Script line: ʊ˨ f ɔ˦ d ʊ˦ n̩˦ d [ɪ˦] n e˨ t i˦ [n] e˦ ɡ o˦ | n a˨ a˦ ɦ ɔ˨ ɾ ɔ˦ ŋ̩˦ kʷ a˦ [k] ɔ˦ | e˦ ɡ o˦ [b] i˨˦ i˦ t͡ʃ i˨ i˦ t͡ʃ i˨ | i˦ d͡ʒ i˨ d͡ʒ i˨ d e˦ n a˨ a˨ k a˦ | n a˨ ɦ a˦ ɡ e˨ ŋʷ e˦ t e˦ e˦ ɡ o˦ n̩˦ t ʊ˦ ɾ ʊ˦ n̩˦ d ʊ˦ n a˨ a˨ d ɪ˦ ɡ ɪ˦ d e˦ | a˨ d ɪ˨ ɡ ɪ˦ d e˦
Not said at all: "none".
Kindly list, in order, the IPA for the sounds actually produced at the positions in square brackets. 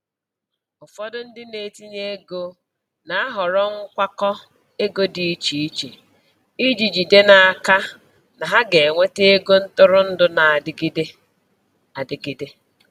ɪ˦, ɲ, k, d

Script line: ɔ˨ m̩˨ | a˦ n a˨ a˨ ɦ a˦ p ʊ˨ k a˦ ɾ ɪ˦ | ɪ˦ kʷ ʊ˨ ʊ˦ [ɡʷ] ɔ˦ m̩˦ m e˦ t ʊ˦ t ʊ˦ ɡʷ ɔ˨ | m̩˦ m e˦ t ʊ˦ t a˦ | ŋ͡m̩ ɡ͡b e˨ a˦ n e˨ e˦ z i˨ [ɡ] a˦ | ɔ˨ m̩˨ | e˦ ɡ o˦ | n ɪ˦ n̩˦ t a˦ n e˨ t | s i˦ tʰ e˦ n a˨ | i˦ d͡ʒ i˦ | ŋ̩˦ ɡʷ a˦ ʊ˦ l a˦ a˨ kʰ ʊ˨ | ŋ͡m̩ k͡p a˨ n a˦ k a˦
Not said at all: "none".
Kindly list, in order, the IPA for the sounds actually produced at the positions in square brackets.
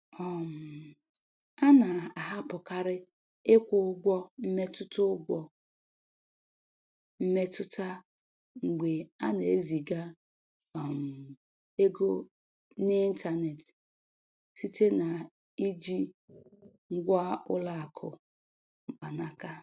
ɡʷ, ɡ

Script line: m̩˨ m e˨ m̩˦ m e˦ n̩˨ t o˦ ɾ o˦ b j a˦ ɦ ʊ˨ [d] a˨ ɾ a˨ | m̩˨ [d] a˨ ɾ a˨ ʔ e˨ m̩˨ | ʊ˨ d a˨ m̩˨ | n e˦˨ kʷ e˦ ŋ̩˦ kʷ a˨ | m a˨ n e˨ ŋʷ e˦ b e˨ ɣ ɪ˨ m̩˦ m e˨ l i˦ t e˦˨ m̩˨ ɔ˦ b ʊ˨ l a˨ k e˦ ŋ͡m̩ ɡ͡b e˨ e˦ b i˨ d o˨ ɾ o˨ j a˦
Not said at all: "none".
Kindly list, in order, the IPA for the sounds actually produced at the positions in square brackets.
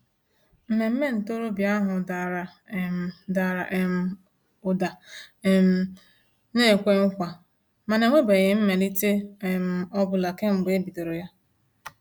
d, d

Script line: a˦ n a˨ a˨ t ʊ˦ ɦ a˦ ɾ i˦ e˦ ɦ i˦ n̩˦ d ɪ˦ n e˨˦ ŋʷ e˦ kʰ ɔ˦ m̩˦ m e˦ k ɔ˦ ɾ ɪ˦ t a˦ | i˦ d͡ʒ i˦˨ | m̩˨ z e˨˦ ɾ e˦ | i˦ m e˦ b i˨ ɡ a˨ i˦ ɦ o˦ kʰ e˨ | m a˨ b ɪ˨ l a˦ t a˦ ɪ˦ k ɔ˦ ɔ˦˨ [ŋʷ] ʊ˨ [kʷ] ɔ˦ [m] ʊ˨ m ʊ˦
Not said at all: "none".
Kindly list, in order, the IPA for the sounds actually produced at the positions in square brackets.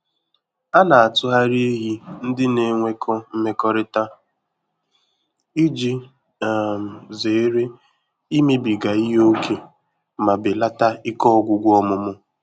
ɡʷ, ɡʷ, m

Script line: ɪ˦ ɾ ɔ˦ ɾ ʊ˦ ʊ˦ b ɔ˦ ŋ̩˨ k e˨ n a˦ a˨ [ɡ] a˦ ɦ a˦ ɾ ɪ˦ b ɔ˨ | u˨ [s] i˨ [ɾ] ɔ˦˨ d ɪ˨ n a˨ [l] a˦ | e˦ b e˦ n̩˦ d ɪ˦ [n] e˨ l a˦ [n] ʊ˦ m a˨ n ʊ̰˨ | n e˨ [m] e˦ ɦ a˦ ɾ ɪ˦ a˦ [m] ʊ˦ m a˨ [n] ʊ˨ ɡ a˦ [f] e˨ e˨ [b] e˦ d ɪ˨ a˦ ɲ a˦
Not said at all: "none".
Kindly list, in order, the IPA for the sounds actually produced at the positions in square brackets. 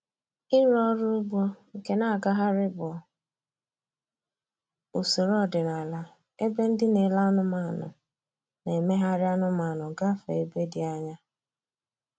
ɡ, s, ɾ, l, n, n, m, n, n, f, b

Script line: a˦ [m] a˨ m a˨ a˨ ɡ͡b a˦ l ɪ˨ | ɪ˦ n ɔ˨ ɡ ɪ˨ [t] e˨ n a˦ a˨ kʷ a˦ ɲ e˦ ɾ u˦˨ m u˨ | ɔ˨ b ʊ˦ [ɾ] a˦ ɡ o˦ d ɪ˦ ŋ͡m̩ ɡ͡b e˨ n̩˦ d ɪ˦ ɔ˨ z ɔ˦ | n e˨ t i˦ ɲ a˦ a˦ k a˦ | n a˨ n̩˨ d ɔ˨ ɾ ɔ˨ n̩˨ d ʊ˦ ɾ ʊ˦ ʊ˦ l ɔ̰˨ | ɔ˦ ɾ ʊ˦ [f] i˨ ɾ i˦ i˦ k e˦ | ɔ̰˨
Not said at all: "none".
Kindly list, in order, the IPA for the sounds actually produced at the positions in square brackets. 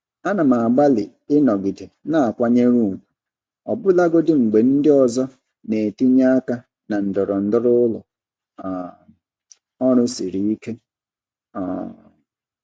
n, d, l, s

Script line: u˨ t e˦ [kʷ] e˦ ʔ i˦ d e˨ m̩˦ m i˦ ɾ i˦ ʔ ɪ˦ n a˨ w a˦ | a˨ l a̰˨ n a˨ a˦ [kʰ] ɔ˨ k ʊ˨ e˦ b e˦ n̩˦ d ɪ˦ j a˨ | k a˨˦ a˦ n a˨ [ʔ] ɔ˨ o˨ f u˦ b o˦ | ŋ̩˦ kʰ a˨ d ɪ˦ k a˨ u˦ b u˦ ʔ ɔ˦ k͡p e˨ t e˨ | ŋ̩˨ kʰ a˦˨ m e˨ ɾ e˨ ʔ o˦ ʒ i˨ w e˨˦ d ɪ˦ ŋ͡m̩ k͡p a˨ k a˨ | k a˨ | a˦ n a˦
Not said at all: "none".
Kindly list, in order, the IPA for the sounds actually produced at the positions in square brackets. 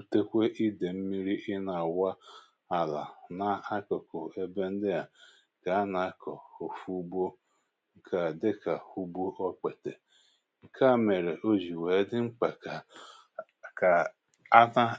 kʷ, k, k

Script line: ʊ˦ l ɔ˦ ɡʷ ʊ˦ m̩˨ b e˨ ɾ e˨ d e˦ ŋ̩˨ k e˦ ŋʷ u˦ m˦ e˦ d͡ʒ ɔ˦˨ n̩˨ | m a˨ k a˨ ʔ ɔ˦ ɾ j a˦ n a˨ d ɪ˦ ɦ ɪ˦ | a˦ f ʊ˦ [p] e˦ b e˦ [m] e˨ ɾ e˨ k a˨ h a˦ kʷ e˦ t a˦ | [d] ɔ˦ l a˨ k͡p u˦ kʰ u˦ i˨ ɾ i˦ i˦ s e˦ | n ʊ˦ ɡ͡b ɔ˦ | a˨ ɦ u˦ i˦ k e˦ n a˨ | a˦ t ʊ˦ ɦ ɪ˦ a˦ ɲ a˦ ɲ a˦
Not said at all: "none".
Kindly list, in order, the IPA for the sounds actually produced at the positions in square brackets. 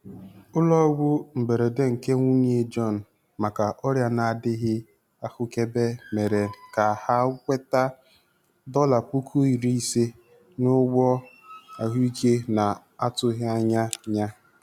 k, m, d

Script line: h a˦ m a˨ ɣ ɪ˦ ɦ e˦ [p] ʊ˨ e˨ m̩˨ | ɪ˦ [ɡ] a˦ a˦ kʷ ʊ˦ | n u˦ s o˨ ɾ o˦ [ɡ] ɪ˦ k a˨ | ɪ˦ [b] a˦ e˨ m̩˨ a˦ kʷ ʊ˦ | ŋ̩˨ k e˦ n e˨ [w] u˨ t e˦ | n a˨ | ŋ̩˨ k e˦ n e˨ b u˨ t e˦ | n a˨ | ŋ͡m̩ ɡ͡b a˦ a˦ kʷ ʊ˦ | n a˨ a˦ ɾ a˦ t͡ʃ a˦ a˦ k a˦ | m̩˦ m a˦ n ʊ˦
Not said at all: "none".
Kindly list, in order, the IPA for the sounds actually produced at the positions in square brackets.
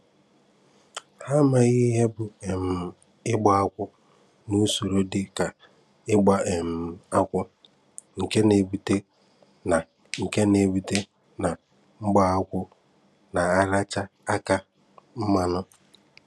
b, ɡ͡b, d, ɡ͡b, b

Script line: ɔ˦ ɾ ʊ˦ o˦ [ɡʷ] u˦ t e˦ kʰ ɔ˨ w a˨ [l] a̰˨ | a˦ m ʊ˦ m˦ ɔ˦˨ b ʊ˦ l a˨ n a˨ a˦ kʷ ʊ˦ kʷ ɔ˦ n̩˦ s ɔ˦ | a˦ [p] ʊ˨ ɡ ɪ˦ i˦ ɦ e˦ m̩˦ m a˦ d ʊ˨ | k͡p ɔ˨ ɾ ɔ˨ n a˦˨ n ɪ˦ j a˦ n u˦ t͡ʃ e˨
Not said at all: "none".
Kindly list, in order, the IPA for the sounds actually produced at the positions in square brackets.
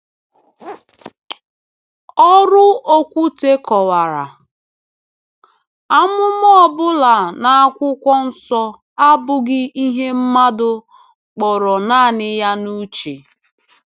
kʷ, ɾ, b

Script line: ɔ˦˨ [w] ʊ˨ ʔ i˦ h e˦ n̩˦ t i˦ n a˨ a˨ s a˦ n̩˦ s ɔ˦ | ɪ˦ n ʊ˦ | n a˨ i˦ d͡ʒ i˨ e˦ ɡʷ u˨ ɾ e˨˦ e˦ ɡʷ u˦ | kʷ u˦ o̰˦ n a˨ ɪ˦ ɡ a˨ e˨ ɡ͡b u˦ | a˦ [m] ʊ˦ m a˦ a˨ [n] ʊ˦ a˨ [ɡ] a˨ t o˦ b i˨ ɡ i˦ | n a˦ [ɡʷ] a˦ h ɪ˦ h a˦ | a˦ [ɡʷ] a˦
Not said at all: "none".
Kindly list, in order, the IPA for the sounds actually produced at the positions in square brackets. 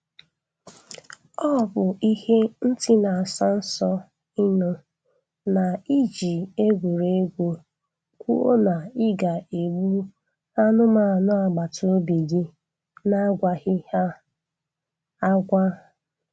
b, n, n, ɡ͡b, ɡʷ, ɡʷ

